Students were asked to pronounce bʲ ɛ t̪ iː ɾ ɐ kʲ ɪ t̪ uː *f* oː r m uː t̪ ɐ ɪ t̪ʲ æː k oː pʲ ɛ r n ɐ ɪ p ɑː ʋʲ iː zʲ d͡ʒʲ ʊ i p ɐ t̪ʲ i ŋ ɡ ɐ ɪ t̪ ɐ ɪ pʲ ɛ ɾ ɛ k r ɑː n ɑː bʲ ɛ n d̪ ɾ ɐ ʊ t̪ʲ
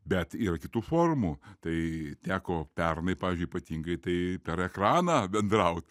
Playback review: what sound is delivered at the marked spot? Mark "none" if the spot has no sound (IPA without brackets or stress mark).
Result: f